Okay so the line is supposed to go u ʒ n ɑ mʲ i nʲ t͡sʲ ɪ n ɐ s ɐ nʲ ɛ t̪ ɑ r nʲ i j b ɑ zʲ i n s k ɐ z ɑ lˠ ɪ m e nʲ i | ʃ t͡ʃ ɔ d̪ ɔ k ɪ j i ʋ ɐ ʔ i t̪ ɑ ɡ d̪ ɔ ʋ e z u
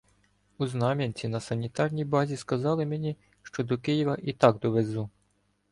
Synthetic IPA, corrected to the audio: u z n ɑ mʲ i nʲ t͡sʲ i n ɐ s ɐ nʲ i t̪ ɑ r nʲ i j b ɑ zʲ i s k ɐ z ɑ lˠ ɪ m e nʲ i | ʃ t͡ʃ ɔ d̪ ɔ k ɪ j i ʋ ɐ ʔ i t̪ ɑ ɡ d̪ ɔ ʋ e z u